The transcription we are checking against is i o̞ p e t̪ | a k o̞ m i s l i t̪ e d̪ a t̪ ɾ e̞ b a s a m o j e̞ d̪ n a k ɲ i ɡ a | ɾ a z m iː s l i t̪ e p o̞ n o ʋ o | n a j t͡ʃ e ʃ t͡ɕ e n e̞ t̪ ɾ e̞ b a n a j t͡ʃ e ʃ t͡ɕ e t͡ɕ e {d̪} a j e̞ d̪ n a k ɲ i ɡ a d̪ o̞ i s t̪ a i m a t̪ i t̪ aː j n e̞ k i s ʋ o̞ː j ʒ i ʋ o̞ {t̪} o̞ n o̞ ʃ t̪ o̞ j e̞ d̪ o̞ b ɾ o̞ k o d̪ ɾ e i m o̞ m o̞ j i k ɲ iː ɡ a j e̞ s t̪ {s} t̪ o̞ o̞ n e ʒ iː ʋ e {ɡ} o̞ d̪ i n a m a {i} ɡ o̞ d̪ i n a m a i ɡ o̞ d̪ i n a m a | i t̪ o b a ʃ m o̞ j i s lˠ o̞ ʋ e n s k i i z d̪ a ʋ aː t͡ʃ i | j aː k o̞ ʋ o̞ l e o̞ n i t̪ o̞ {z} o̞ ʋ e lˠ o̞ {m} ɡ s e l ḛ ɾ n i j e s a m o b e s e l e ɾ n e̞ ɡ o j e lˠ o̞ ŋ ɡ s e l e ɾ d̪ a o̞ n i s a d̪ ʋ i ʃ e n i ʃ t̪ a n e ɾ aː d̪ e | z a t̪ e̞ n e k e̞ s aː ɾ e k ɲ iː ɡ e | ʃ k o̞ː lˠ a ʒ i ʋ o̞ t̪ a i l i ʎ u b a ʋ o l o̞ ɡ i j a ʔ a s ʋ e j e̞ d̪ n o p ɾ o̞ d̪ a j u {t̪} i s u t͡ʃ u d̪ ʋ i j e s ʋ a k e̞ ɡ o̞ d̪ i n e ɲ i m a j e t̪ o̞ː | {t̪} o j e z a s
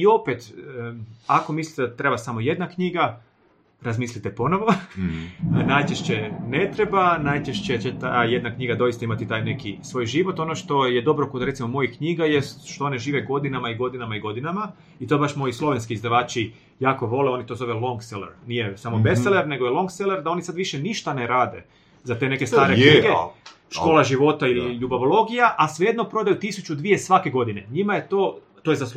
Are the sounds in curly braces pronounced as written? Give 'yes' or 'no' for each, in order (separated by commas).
no, yes, no, yes, yes, yes, no, yes, yes